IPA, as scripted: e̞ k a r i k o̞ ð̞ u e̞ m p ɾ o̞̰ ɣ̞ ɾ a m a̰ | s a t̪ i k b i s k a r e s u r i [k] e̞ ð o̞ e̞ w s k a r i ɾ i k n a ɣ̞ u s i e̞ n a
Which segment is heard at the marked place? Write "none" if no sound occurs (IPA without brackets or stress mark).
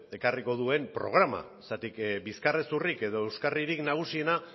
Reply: k